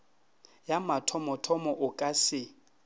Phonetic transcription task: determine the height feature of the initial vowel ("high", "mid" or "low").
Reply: low